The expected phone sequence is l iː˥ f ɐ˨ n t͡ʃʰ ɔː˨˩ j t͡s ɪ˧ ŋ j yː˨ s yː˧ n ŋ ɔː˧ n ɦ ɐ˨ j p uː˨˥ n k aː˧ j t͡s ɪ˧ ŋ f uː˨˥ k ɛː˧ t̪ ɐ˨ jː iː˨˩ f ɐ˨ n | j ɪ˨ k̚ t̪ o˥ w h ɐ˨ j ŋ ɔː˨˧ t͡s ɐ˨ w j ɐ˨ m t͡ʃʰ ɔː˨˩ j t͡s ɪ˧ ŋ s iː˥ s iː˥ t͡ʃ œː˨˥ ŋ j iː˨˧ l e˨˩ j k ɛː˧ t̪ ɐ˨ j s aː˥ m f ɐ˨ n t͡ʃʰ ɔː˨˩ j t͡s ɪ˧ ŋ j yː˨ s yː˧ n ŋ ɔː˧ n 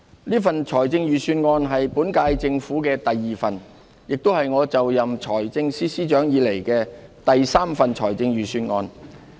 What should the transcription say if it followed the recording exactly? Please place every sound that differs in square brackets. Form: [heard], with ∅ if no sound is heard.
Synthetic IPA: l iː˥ f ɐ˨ n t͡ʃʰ ɔː˨˩ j t͡s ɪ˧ ŋ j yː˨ s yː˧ n ŋ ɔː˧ n ɦ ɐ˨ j p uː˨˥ n k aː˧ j t͡s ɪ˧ ŋ f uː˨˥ k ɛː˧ t̪ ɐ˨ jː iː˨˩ f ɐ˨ n | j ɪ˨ k̚ t̪ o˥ w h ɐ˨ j ŋ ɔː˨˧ t͡s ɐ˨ w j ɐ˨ m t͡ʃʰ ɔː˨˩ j t͡s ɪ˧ ŋ s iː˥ s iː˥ t͡ʃ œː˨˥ ŋ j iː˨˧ l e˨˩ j k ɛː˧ t̪ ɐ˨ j s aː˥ m f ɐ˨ n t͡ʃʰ ɔː˨˩ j t͡s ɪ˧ ŋ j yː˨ s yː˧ n ŋ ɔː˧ n